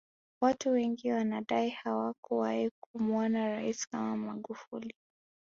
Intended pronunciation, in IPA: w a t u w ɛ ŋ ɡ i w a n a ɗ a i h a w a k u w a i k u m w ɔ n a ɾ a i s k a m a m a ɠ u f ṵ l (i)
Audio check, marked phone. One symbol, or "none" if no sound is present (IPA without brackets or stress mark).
i